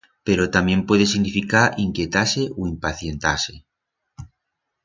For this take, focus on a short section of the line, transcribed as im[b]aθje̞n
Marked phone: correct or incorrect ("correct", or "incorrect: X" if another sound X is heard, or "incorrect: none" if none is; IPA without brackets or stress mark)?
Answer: incorrect: p